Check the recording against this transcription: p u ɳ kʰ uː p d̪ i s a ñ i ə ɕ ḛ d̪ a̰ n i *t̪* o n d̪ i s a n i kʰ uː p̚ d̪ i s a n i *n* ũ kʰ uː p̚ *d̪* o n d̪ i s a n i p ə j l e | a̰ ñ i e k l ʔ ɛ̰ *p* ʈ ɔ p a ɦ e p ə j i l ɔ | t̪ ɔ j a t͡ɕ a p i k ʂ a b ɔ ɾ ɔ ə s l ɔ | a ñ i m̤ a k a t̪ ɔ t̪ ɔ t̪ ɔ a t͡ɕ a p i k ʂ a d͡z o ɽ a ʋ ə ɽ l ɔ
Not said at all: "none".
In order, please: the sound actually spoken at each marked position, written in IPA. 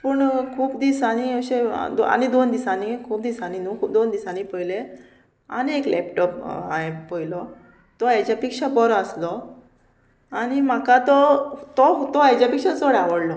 d̪, n, d̪, p

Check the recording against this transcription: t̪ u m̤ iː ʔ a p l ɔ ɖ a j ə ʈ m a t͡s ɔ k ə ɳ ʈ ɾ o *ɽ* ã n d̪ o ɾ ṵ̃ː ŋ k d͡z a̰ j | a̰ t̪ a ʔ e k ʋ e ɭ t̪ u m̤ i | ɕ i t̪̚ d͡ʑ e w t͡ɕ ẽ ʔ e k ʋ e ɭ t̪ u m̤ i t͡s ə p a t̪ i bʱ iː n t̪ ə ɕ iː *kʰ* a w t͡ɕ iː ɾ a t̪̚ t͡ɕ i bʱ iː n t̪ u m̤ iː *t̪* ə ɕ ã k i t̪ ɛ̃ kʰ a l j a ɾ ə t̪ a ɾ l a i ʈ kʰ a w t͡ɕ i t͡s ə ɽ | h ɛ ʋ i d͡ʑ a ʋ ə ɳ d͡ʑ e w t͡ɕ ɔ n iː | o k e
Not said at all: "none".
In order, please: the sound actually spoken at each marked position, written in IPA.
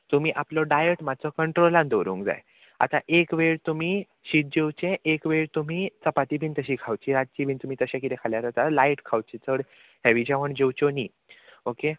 l, kʰ, t̪

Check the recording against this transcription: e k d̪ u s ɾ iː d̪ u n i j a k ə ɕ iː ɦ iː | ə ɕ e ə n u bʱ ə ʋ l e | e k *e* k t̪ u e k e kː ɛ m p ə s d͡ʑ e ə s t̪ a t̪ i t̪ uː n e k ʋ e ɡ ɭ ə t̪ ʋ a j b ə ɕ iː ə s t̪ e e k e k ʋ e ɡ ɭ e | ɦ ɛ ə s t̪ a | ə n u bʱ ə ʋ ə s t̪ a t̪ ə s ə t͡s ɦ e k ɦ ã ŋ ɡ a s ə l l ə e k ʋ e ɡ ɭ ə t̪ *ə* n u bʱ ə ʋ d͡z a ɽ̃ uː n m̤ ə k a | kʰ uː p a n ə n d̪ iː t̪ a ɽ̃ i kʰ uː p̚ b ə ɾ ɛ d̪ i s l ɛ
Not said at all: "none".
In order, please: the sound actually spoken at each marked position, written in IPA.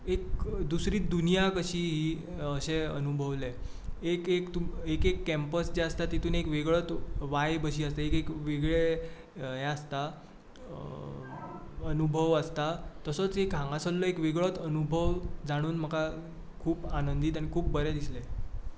e, ə

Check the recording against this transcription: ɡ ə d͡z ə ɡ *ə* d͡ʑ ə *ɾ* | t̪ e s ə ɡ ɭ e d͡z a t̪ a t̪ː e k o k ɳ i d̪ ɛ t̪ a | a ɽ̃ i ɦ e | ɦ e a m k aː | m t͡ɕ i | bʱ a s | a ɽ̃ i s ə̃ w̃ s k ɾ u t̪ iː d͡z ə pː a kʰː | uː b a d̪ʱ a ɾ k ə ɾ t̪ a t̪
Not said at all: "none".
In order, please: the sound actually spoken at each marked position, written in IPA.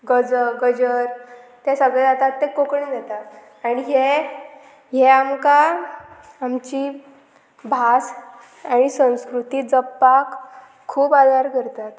ə, ɾ

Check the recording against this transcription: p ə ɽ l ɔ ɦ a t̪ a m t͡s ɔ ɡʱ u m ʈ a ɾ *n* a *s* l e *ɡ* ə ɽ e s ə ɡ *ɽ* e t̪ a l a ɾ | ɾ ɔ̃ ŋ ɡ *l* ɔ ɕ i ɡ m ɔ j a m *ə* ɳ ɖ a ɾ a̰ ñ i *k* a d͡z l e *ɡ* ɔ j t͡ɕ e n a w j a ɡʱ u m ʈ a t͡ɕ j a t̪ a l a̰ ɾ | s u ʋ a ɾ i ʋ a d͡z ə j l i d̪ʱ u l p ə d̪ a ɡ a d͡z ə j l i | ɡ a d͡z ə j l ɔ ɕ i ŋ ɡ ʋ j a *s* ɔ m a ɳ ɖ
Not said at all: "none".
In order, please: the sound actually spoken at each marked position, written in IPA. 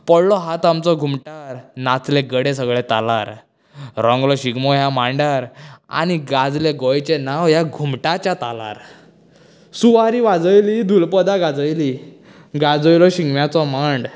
n, t͡s, ɡ, ɭ, l, a, ɡ, ɡ, t͡s

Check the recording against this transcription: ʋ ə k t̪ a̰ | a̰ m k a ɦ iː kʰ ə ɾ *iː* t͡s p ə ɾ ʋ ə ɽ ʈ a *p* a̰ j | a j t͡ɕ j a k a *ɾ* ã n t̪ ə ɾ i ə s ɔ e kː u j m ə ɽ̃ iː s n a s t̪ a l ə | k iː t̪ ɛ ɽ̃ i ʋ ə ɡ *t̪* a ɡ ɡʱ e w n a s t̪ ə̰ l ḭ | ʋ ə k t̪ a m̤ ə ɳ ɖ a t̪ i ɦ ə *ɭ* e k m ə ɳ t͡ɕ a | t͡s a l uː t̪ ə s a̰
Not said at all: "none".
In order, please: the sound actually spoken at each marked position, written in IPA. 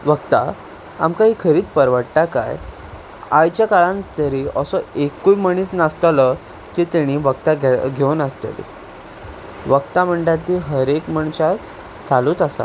iː, k, ɭ, t̪, ɾ

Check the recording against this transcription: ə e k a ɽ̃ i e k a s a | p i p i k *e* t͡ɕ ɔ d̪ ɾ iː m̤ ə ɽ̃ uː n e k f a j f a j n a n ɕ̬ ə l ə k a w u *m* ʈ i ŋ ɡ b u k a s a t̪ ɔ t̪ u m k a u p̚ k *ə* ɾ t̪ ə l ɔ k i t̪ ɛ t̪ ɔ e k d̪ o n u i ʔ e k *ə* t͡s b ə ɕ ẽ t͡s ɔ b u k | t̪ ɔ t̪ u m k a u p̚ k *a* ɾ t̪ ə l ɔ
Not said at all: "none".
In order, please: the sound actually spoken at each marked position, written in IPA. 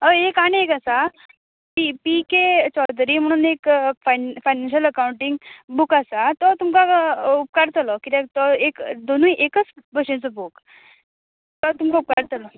e, ɳ, a, ə, a

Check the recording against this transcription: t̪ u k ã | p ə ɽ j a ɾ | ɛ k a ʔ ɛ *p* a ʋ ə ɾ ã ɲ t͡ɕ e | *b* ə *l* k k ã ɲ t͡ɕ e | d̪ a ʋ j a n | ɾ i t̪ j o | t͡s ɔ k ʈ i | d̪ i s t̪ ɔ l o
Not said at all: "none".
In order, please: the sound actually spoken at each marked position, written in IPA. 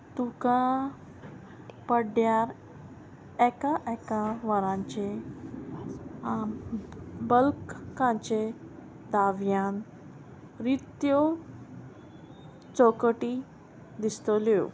k, b, l

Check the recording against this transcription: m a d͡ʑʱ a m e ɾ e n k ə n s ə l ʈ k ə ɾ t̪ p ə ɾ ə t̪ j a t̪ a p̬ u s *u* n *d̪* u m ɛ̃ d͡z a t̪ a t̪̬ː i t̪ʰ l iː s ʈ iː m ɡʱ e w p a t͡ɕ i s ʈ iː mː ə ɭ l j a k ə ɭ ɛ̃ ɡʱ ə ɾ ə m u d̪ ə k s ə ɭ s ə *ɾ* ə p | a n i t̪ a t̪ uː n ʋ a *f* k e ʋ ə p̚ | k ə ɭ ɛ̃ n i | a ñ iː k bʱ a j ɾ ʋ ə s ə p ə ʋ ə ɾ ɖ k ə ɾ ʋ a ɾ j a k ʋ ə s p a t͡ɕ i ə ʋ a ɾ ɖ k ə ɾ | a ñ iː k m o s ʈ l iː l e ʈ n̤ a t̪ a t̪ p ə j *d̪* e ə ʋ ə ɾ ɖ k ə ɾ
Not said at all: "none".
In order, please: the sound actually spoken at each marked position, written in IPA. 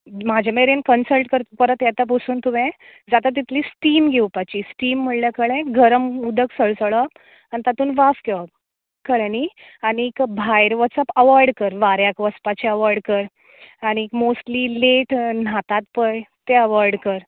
uː, t̪, ɭ, f, t̪

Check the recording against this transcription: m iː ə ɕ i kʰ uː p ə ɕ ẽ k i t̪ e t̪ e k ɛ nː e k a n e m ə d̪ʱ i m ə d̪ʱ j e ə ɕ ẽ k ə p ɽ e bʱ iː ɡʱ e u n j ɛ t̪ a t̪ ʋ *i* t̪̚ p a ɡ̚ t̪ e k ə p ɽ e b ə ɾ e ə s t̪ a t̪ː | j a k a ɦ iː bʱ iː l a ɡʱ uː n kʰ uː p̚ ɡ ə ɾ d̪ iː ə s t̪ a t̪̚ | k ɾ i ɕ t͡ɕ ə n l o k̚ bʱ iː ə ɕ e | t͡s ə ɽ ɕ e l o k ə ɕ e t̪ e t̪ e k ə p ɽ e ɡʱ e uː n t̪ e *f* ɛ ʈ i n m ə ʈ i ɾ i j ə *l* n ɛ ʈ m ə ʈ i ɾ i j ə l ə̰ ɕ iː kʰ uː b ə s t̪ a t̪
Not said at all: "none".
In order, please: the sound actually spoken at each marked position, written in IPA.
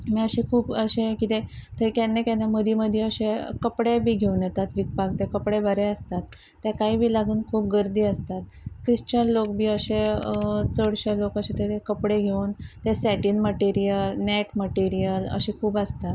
i, s, l

